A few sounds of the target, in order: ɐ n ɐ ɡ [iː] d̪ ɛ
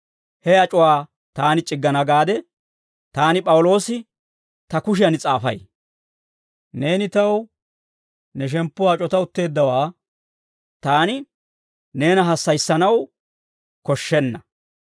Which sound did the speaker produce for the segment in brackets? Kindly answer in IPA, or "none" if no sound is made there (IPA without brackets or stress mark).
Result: aː